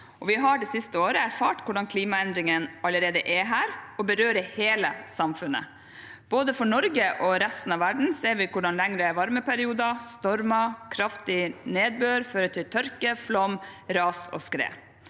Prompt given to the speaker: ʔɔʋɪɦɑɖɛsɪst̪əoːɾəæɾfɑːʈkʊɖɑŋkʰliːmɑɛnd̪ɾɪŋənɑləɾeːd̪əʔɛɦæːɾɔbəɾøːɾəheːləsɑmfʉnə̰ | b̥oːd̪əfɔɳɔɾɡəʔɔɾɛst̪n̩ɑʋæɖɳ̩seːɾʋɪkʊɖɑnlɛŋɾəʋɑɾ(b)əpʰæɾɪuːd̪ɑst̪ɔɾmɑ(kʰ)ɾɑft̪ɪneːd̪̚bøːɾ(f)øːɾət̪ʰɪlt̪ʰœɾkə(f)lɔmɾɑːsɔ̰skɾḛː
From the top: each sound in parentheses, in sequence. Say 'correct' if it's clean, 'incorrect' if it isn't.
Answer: incorrect: m, correct, correct, correct

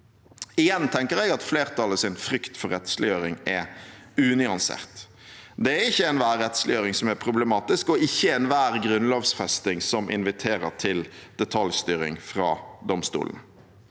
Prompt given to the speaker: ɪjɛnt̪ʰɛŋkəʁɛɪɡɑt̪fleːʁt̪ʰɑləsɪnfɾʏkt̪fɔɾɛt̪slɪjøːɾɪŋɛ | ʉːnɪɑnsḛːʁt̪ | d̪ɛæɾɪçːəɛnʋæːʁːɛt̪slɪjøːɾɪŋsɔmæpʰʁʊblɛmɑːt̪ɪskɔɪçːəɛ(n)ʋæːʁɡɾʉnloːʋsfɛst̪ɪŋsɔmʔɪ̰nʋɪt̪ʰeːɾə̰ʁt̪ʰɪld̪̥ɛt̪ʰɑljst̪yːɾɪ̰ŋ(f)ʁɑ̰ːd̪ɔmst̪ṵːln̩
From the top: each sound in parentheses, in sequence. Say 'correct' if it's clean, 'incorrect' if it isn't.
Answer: correct, correct

